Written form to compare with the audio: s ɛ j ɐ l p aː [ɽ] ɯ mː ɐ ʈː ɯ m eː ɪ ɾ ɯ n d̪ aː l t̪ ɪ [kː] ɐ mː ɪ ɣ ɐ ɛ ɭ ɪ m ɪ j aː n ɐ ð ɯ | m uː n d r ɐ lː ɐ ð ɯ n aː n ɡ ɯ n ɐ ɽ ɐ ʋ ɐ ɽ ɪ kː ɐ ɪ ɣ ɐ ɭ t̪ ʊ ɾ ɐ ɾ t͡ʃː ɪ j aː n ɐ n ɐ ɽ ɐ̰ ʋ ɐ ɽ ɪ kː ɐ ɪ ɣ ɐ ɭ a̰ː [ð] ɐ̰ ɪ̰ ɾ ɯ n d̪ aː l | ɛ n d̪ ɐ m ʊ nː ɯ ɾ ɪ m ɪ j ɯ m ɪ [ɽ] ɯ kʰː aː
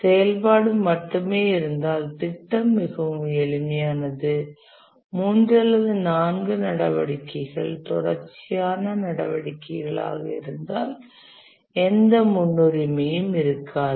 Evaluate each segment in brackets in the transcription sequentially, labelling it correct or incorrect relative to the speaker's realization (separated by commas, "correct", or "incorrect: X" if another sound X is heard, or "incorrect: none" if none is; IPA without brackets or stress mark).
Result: correct, incorrect: ʈː, incorrect: ɣ, incorrect: ɾ